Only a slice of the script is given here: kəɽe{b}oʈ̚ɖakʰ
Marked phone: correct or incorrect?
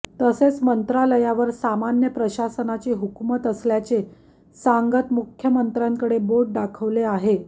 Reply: correct